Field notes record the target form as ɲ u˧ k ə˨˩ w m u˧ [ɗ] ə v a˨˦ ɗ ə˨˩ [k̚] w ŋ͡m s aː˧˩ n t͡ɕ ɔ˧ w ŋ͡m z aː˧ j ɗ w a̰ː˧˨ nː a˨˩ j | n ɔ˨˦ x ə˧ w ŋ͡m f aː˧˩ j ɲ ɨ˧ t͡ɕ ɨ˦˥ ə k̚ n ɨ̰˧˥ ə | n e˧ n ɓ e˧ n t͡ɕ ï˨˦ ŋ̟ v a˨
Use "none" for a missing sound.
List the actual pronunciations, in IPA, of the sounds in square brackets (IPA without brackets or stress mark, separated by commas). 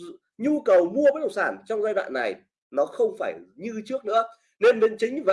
none, none